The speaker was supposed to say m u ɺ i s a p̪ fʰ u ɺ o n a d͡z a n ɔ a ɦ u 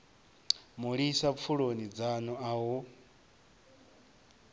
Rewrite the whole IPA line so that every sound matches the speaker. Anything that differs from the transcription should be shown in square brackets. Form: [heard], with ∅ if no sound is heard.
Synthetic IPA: m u ɺ i s a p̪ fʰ u ɺ o n [i] d͡z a n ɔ a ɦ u